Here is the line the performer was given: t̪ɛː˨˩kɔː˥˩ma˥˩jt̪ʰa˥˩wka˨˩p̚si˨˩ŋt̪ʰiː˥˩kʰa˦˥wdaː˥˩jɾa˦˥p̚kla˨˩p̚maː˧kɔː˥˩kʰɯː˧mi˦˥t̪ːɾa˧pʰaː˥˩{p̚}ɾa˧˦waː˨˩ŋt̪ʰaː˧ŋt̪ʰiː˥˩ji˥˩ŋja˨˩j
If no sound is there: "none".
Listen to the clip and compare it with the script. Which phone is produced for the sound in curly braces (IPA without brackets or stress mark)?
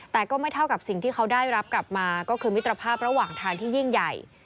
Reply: p̚